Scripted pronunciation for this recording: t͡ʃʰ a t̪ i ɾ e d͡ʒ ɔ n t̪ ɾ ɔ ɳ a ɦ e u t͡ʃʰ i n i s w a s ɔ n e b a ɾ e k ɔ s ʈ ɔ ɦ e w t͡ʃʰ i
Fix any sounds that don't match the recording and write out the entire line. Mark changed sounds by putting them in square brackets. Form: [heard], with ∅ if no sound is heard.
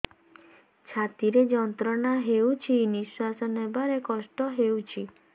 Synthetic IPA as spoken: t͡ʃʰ a t̪ i ɾ e d͡ʒ ɔ n t̪ ɾ ɔ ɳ a ɦ e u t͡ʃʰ i n i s w a s ɔ n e b a ɾ e k ɔ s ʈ ɔ ɦ e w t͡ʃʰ i